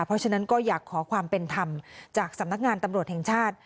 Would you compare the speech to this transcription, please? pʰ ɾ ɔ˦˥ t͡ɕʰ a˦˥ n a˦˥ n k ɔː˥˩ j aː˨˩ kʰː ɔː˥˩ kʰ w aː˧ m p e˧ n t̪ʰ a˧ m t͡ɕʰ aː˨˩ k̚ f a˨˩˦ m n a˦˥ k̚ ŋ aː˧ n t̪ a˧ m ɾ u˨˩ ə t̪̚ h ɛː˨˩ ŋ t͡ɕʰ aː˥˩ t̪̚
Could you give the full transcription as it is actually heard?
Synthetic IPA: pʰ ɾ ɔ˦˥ t͡ɕʰ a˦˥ n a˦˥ n k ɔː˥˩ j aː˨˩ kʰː ɔː˩˦ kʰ w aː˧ m p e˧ n t̪ʰ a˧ m t͡ɕ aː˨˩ k̚ s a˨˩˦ m n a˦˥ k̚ ŋ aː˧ n t̪ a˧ m ɾ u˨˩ ə t̪̚ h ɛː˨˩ ŋ t͡ɕʰ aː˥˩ t̪̚

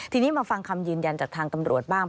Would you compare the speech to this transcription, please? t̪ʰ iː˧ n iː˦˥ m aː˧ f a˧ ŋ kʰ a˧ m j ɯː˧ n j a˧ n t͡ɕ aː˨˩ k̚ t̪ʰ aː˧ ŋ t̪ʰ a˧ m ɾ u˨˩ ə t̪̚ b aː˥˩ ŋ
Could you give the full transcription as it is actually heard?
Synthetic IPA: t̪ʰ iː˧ n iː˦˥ m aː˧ f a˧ ŋ kʰ a˧ m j ɯː˧ n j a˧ n t͡ɕ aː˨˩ k̚ t̪ʰ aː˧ ŋ t̪ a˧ m ɾ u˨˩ ə t̪̚ b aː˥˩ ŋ

